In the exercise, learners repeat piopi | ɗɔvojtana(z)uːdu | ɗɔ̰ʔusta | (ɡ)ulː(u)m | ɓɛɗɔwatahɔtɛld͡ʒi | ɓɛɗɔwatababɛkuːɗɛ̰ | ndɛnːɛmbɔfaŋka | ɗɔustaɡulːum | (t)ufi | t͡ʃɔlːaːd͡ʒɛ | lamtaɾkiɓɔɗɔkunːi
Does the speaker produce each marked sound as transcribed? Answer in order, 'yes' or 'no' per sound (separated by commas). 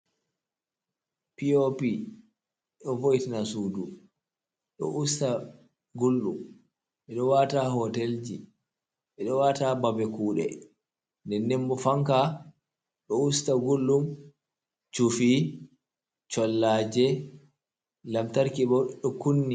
no, yes, yes, no